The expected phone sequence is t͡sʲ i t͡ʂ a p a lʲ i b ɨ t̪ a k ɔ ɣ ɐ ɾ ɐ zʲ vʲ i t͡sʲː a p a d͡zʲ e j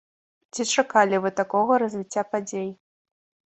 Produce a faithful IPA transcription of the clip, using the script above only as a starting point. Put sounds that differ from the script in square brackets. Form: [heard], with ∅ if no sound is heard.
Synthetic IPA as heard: t͡sʲ i t͡ʂ a [k] a lʲ i [v] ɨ t̪ a k ɔ ɣ ɐ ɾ ɐ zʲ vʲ i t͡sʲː a p a d͡zʲ e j